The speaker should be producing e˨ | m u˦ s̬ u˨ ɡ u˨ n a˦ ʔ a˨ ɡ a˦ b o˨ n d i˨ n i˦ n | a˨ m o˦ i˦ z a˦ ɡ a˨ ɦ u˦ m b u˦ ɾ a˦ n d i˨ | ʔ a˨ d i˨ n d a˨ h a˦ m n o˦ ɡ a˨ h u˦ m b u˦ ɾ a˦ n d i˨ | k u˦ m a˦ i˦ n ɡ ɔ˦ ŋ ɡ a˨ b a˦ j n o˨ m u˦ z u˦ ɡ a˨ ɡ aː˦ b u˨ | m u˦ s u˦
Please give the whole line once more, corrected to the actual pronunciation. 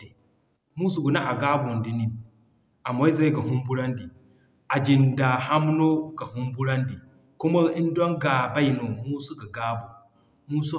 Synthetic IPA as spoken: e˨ | m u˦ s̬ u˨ ɡ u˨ n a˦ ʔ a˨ ɡ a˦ b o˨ n d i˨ n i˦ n | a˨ m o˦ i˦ z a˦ ɡ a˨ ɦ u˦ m b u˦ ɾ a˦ n d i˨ | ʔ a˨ d͡ʒ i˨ n d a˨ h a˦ m n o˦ ɡ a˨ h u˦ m b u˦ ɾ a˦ n d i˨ | k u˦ m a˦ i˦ n d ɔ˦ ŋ ɡ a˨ b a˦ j n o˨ m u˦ s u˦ ɡ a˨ ɡ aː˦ b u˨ | m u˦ s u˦